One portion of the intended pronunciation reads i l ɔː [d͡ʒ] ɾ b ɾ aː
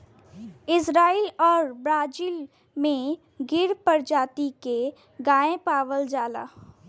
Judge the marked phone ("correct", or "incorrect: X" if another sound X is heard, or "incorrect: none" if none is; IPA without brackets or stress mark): incorrect: none